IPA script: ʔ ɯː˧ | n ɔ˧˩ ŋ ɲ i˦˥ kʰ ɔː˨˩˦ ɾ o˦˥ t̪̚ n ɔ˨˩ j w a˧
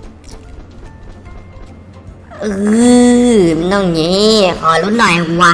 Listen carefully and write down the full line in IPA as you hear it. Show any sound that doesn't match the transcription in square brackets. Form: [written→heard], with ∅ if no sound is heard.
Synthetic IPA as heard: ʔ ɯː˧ | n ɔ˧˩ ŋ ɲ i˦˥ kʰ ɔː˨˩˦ [ɾ→l] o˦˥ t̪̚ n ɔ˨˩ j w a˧